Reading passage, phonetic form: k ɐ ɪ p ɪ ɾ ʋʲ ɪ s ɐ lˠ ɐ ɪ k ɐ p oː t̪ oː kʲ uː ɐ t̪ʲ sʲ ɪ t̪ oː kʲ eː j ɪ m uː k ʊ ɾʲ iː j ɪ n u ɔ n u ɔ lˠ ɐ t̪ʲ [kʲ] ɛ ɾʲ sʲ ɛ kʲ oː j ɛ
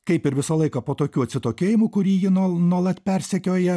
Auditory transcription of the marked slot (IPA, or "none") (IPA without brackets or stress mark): pʲ